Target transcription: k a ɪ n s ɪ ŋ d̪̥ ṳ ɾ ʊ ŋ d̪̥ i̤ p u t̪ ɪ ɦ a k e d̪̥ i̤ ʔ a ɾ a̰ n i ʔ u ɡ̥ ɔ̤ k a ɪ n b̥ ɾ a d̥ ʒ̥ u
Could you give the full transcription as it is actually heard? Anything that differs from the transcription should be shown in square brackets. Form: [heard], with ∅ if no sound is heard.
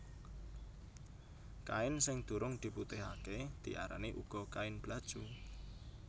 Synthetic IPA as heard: k a ɪ n s ɪ ŋ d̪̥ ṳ ɾ ʊ ŋ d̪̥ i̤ p u t̪ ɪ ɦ a k e d̪̥ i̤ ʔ a ɾ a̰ n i ʔ u ɡ̥ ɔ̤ k a ɪ n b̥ [l] a d̥ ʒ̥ u